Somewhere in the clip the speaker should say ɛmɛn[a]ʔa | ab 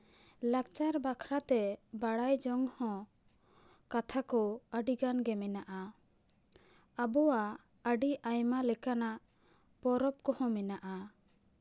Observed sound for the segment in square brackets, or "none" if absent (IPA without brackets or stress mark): a